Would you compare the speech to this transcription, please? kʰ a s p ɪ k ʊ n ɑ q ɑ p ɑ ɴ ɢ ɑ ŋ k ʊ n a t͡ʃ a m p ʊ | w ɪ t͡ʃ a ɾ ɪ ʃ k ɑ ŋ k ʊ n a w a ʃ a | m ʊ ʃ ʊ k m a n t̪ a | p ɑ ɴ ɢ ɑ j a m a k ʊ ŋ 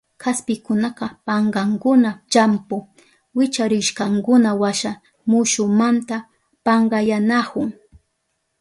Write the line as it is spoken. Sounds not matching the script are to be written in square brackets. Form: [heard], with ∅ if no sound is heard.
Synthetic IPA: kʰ a s p ɪ k ʊ n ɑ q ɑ p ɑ ɴ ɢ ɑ ŋ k ʊ n a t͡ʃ a m p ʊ | w ɪ t͡ʃ a ɾ ɪ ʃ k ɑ ŋ k ʊ n a w a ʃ a | m ʊ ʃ ʊ [∅] m a n t̪ a | p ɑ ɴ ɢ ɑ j a [n] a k ʊ ŋ